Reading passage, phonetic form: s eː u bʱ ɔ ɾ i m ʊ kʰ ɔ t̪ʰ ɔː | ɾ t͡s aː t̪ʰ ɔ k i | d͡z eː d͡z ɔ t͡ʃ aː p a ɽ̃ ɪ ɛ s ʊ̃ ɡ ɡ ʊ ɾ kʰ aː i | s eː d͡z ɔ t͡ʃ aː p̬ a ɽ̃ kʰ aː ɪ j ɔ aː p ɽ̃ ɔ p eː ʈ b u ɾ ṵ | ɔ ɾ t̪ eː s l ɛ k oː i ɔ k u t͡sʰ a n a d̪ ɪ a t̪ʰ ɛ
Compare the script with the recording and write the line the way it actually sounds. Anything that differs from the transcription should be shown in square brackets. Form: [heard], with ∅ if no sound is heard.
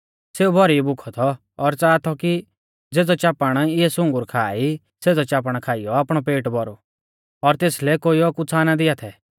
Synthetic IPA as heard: s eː u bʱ ɔ ɾ i [b] ʊ kʰ ɔ t̪ʰ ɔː | ɾ t͡s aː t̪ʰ ɔ k i | d͡z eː d͡z ɔ t͡ʃ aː p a ɽ̃ ɪ ɛ s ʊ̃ [ŋ] ɡ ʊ ɾ kʰ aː i | s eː d͡z ɔ t͡ʃ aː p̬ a ɽ̃ kʰ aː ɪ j ɔ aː p ɽ̃ ɔ p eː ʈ b [ɔ] ɾ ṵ | ɔ ɾ t̪ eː s l ɛ k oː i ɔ k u t͡sʰ a n a d̪ ɪ a t̪ʰ ɛ